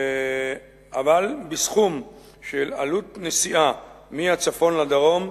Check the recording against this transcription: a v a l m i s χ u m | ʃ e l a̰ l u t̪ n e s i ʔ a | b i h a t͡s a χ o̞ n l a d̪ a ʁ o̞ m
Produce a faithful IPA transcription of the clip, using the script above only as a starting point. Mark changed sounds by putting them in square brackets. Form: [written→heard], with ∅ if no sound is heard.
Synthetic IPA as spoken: a v a l [m→b] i s χ u m | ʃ e l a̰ l u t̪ n e s i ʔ a | [b→m] i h a t͡s a [χ→f] o̞ n l a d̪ a ʁ o̞ m